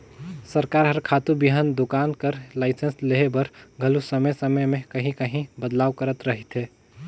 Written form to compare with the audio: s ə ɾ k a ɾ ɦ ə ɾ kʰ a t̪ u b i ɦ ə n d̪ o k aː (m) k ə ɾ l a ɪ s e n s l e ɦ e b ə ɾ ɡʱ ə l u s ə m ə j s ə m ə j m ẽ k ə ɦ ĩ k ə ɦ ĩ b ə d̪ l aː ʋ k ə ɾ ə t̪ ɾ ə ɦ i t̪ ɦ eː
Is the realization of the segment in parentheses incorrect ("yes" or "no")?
yes